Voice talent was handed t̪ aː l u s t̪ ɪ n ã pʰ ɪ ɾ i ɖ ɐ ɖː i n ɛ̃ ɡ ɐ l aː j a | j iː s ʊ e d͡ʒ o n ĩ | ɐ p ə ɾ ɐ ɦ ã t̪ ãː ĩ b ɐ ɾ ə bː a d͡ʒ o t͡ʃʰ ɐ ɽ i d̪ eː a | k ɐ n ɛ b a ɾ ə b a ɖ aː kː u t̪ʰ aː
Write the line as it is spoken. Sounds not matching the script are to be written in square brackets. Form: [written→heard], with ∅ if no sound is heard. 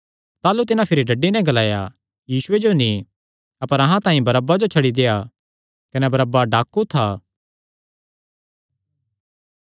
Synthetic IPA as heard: t̪ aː l u [s→∅] t̪ ɪ n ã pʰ ɪ ɾ i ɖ ɐ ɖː i n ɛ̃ ɡ ɐ l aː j a | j iː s ʊ e d͡ʒ o n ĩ | ɐ p ə ɾ ɐ ɦ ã t̪ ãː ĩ b ɐ ɾ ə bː a d͡ʒ o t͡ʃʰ ɐ ɽ i d̪ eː a | k ɐ n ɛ b [a→ɐ] ɾ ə b a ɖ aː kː u t̪ʰ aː